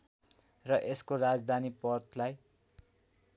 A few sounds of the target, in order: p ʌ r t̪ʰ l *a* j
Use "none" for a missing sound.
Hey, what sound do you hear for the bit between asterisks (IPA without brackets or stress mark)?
a